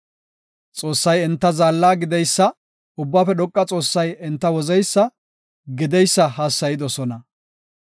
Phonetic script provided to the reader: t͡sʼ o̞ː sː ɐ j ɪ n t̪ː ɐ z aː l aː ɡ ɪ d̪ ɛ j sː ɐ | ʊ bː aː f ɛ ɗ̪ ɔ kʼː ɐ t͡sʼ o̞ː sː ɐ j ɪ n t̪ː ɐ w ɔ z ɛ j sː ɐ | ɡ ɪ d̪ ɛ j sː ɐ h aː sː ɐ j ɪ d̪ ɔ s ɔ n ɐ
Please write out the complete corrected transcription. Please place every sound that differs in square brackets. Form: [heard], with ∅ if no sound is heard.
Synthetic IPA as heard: t͡sʼ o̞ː sː ɐ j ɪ n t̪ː ɐ z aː [lː] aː ɡ ɪ d̪ ɛ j sː ɐ | ʊ bː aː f ɛ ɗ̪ ɔ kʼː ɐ t͡sʼ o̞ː sː ɐ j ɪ n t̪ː ɐ w ɔ z ɛ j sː ɐ | ɡ ɪ d̪ ɛ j sː ɐ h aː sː ɐ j ɪ d̪ ɔ s ɔ n ɐ